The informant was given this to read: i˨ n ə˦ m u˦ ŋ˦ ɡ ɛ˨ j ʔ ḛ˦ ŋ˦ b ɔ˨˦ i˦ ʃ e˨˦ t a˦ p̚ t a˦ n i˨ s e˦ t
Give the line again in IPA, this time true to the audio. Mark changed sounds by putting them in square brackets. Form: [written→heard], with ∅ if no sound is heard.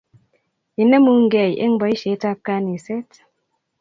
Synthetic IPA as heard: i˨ n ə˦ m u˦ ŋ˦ ɡ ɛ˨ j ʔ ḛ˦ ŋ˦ b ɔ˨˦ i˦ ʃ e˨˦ t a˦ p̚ [t→k] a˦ n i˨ s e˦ t